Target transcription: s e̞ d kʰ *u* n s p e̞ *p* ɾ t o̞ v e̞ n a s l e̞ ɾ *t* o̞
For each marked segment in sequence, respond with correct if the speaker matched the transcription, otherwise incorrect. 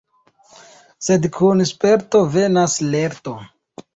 correct, incorrect: none, correct

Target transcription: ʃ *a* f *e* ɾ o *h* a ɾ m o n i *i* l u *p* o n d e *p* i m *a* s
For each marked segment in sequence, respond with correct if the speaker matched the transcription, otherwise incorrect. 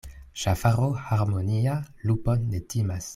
correct, incorrect: a, correct, incorrect: a, correct, incorrect: t, correct

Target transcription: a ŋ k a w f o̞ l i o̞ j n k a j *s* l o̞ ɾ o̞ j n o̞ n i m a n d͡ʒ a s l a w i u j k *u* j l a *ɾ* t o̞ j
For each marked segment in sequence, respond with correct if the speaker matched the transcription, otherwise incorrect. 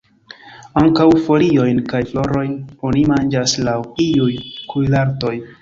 incorrect: f, correct, correct

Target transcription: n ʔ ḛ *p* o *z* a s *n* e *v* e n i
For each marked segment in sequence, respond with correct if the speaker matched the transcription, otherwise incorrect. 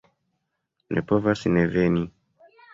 correct, incorrect: v, correct, correct

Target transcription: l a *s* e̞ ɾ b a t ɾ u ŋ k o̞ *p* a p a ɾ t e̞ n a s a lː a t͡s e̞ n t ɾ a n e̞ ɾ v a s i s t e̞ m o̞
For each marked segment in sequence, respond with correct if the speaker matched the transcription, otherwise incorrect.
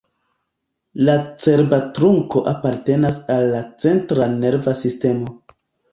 incorrect: t͡s, incorrect: ʔ

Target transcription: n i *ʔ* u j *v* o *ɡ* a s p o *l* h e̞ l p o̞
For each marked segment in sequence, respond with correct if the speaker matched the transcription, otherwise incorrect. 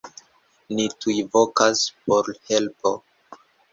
incorrect: t, correct, incorrect: k, incorrect: ɾ

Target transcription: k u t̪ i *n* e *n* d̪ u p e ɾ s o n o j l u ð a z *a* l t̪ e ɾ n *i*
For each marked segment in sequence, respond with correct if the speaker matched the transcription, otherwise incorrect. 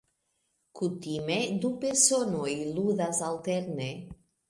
incorrect: m, incorrect: none, correct, incorrect: e

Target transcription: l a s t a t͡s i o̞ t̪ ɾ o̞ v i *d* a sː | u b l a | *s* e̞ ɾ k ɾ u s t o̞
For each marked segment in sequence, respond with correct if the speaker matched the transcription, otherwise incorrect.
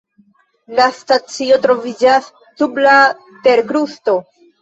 incorrect: d͡ʒ, incorrect: t

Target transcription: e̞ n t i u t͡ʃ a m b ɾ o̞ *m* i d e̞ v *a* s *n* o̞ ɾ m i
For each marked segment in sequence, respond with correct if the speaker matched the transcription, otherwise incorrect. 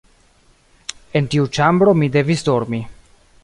correct, incorrect: i, incorrect: d

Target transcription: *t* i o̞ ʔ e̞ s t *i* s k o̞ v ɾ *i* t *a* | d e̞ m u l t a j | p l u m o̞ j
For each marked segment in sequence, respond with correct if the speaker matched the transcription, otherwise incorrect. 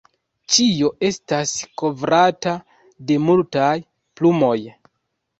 incorrect: t͡ʃ, incorrect: a, incorrect: a, correct

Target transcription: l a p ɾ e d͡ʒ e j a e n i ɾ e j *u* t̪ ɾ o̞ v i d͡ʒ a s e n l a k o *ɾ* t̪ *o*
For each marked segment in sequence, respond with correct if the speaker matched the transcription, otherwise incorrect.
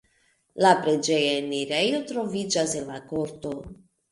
incorrect: o, correct, correct

